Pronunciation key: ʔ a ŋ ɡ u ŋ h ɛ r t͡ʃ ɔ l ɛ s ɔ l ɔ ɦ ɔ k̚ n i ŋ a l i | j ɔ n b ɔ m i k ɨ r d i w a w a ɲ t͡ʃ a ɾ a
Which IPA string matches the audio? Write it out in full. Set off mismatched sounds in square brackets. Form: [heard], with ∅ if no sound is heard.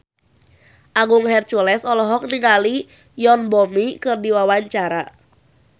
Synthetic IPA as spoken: ʔ a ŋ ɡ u ŋ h ɛ r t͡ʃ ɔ l ɛ s ɔ l ɔ ɦ ɔ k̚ n i ŋ a l i | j ɔ n b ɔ m i k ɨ r d i w a w a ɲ t͡ʃ a ɾ a